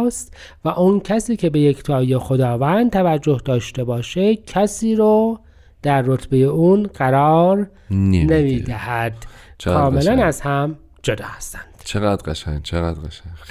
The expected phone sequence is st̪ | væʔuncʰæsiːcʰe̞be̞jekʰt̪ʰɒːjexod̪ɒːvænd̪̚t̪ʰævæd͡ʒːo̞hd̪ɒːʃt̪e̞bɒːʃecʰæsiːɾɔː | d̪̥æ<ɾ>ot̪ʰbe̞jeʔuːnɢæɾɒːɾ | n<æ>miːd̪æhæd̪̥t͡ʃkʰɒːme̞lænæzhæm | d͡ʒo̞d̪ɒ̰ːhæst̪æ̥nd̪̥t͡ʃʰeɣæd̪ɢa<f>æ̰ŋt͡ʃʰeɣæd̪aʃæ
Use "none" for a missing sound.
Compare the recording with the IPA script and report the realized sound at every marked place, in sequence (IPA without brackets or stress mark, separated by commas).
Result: ɾː, e, ʃ